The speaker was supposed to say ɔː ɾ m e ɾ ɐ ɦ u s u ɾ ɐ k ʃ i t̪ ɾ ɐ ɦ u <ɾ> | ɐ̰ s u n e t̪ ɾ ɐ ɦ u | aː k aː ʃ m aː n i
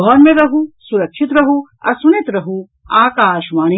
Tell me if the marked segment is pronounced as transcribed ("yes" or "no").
no